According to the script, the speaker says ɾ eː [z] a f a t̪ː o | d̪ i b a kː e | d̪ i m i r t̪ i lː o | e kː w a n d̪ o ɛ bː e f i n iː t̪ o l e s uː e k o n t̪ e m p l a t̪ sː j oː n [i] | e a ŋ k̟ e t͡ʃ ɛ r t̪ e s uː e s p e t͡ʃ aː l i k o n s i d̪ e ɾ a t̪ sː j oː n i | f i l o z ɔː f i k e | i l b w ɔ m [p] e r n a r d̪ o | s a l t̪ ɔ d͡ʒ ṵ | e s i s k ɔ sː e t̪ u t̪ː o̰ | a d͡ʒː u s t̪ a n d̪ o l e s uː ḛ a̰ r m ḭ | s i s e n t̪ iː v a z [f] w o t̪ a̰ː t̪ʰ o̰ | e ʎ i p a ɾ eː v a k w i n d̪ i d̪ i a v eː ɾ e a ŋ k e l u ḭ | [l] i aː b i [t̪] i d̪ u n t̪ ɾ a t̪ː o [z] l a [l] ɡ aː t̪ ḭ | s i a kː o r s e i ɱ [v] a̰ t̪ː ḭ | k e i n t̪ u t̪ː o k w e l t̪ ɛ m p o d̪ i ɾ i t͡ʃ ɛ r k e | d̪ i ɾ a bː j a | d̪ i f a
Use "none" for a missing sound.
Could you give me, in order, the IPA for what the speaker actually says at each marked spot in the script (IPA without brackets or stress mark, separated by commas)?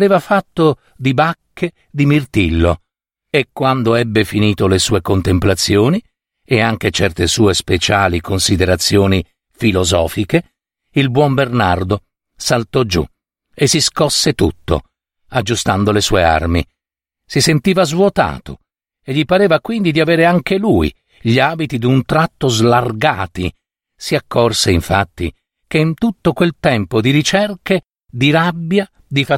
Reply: v, i, b, v, ʎ, t̪, z, r, f